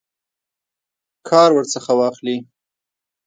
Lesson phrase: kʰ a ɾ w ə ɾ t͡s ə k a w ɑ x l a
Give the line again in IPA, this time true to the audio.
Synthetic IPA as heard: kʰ ɑ ɾ w ə ɾ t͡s ə x a w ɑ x l i